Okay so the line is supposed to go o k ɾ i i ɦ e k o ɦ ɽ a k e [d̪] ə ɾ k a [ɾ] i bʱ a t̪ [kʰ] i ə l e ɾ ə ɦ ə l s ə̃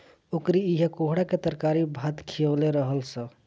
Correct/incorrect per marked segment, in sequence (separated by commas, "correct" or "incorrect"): incorrect, correct, correct